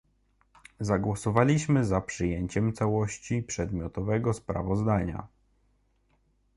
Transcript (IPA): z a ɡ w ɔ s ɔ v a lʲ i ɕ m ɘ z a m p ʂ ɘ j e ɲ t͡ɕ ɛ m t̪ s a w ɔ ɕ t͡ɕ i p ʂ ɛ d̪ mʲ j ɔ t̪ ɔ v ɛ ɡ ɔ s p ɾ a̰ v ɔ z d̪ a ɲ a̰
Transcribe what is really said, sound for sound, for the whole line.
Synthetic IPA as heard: z a ɡ w ɔ s ɔ v a lʲ i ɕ m ɘ z a p ʂ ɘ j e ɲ t͡ɕ ɛ m t̪ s a w ɔ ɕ t͡ɕ i p ʂ ɛ d̪ mʲ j ɔ t̪ ɔ v ɛ ɡ ɔ s p ɾ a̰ v ɔ z d̪ a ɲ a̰